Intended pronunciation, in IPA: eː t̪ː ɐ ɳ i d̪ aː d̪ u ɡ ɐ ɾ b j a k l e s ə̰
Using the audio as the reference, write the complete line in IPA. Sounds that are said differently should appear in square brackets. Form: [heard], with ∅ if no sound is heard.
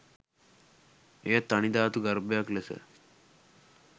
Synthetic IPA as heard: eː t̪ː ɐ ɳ i d̪ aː [t̪] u ɡ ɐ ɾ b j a k l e s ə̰